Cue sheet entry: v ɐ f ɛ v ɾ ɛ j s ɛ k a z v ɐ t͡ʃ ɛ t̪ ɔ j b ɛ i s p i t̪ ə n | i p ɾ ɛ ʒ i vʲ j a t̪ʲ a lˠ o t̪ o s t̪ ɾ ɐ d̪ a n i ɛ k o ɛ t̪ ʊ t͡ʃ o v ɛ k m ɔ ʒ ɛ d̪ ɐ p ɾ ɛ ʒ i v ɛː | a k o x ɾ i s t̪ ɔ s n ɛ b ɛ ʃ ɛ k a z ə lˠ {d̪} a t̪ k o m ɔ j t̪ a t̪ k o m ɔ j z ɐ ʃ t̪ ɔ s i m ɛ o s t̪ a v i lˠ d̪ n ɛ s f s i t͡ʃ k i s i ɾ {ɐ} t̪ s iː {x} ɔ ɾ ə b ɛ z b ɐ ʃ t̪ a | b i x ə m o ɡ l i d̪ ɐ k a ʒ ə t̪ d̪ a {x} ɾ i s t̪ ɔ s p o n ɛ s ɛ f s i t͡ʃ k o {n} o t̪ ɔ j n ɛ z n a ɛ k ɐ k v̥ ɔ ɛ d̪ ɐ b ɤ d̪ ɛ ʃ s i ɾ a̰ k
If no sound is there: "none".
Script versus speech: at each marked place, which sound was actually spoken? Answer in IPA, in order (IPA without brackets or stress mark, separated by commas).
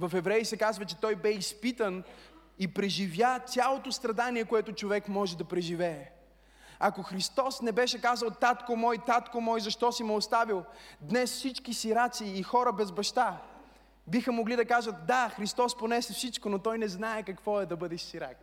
t̪, a, x, x, n